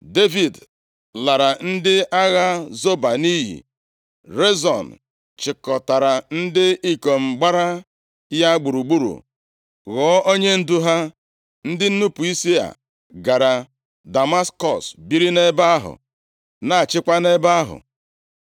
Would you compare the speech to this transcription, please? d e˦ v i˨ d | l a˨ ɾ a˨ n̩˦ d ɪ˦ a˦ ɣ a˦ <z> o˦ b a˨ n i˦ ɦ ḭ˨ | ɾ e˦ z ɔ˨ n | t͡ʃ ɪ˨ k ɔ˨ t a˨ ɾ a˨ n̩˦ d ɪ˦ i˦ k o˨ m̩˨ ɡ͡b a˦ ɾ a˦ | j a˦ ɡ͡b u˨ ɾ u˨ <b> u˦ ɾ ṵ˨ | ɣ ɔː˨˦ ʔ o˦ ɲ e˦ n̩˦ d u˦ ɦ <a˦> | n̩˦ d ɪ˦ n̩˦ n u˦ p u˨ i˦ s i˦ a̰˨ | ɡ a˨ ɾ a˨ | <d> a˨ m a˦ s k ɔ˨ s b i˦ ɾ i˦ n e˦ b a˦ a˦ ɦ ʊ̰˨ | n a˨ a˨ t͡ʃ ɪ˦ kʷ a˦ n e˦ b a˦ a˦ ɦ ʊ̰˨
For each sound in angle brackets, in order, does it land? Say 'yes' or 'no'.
yes, no, yes, yes

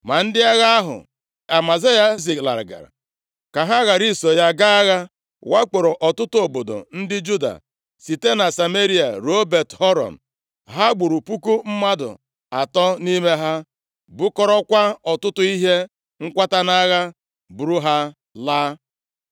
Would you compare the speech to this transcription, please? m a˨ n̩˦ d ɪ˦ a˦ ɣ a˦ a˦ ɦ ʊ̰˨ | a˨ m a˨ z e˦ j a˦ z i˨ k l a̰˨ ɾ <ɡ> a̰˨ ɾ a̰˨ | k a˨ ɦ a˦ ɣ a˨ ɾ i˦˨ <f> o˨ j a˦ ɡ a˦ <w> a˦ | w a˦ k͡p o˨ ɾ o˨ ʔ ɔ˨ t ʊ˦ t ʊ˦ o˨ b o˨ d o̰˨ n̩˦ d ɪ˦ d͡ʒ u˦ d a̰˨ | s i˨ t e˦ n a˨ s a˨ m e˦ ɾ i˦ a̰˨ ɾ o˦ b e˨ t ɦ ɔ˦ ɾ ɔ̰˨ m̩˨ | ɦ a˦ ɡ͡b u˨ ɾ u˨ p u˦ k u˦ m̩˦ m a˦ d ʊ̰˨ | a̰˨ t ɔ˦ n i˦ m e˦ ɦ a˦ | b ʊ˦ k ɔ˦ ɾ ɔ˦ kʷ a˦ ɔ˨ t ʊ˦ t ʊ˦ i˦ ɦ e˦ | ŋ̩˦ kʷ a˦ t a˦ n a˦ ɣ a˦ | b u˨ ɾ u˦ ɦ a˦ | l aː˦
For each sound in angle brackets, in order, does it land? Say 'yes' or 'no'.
yes, no, no

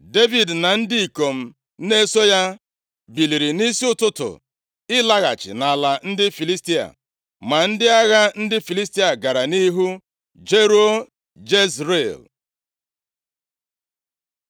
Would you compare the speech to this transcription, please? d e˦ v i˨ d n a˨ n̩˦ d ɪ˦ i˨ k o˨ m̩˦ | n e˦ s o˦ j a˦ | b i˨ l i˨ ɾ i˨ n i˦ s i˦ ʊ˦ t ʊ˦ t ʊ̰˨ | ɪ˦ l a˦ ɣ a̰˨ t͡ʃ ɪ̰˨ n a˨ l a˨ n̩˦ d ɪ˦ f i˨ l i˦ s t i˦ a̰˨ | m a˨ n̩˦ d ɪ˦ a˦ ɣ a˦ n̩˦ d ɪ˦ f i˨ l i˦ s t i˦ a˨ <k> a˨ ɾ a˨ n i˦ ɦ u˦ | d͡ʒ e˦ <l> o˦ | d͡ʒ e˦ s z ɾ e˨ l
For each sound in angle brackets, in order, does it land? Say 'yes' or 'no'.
no, no

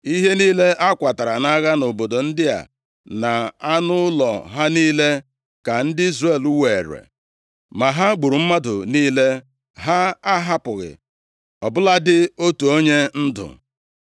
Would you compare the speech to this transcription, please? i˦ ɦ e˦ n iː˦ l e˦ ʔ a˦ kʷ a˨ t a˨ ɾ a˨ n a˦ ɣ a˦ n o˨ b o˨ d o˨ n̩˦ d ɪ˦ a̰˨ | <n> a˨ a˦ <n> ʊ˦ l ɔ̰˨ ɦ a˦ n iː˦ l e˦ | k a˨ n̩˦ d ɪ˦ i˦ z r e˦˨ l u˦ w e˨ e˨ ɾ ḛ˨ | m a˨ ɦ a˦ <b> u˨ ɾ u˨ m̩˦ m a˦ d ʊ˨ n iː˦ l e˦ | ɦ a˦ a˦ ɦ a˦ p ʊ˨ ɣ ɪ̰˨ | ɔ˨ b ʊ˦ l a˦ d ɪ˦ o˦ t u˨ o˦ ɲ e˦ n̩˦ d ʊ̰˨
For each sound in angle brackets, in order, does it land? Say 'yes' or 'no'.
yes, yes, no

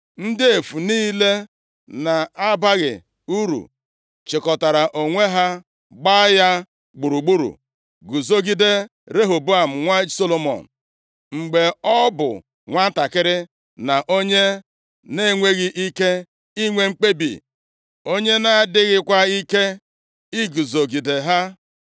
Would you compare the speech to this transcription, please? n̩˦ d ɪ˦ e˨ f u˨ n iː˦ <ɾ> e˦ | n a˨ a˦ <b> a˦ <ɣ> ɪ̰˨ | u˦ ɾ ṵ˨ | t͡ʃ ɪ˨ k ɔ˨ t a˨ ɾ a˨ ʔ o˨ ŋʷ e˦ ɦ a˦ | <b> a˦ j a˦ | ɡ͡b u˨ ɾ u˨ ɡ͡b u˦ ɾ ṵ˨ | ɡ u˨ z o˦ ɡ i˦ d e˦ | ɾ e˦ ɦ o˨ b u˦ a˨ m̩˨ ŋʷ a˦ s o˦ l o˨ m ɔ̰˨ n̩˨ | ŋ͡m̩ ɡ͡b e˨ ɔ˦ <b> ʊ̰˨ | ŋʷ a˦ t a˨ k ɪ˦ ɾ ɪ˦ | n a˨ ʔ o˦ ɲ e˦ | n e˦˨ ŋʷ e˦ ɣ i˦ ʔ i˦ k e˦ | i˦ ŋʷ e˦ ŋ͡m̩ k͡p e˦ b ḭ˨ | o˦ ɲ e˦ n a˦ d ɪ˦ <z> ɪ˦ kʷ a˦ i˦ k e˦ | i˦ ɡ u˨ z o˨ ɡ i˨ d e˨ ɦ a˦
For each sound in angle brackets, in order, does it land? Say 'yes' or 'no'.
no, yes, yes, no, yes, no

